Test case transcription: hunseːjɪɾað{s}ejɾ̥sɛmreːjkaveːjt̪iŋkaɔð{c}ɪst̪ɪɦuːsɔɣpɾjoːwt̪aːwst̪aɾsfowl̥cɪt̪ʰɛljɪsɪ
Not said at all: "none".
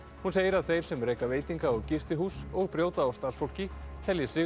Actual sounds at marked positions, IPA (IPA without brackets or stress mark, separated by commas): θ, c